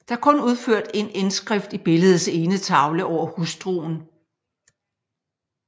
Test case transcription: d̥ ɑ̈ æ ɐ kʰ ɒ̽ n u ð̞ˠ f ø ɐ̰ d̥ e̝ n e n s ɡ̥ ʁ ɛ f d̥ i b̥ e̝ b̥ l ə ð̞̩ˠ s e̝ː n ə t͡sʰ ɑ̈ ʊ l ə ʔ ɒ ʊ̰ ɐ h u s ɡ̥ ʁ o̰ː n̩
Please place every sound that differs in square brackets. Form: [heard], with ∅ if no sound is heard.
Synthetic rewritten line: d̥ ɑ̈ æ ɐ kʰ [ɔ̽] n u ð̞ˠ f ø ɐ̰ d̥ e̝ n e n s ɡ̥ ʁ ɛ f d̥ i b̥ e̝ [∅] l ə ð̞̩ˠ s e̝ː n ə t͡sʰ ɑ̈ ʊ l ə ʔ ɒ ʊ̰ ɐ h u s [d̥] ʁ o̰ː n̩